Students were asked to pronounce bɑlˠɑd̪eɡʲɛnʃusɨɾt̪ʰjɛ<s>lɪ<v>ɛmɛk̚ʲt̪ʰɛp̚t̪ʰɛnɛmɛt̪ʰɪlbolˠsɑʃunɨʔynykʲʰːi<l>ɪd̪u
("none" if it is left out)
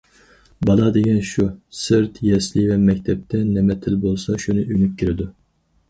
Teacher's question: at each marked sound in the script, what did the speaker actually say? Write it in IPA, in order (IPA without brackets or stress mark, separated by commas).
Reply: s, v, ɾ